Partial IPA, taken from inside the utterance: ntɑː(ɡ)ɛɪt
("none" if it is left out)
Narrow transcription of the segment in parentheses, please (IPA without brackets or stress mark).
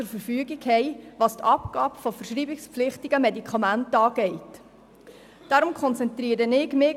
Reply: ɡ